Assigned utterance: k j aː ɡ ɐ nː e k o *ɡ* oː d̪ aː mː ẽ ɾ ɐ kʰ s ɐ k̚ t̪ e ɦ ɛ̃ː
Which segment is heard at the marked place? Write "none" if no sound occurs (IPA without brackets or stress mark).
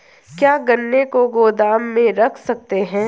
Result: ɡ